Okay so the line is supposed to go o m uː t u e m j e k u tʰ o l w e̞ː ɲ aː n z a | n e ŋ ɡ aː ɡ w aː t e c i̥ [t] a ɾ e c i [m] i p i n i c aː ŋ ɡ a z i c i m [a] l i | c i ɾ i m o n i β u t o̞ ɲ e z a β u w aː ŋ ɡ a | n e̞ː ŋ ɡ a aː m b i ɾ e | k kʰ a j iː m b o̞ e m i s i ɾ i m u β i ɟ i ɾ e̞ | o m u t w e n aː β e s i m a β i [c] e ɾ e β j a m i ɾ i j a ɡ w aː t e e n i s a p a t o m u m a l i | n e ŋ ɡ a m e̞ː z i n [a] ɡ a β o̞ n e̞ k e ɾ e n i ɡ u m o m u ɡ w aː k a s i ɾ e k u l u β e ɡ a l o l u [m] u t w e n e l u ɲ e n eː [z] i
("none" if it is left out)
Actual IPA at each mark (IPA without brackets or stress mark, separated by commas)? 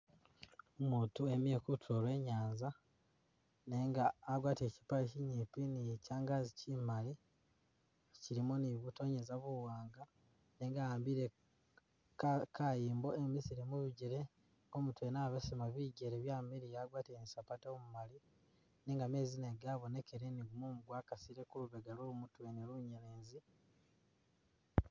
p, ɲ, a, ɟ, e, m, z